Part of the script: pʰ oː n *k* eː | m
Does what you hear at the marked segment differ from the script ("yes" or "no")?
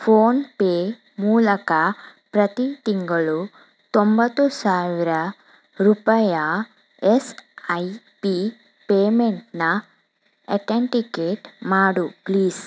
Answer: yes